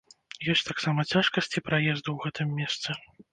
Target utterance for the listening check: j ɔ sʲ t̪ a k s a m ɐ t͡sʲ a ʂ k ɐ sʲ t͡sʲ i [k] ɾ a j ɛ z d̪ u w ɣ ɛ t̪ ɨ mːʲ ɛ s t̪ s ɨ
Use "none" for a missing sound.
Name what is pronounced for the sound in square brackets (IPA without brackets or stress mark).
p